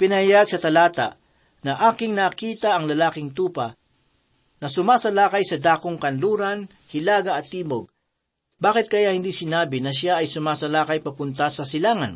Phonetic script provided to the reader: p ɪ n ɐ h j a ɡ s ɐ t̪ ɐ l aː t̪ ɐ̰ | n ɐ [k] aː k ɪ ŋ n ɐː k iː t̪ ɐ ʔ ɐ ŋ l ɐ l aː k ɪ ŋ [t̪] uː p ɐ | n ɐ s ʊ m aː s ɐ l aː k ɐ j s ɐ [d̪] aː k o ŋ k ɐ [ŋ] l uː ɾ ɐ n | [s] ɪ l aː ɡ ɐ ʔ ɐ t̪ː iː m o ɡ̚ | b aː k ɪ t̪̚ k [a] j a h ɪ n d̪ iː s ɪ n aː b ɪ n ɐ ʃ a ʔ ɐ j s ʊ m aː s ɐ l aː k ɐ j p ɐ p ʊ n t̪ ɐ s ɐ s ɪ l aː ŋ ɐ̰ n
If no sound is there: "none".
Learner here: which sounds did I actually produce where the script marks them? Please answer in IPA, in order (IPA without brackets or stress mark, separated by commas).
ʔ, t̪, d̪, n, h, ɐ